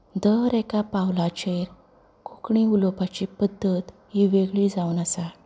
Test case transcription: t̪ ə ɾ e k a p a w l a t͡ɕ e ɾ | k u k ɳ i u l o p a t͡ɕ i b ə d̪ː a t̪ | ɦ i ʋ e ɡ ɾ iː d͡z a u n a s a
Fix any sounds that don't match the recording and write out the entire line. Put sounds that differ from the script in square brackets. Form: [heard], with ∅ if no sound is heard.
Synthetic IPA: [d̪] ə ɾ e k a p a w l a t͡ɕ e ɾ | k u k ɳ i u l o p a t͡ɕ i [p] ə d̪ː [ə] t̪ | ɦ i ʋ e ɡ [ɭ] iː d͡z a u n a s a